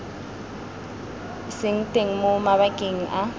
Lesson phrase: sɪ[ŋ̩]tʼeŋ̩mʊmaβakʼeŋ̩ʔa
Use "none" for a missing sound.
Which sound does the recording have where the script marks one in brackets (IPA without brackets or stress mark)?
ŋ̩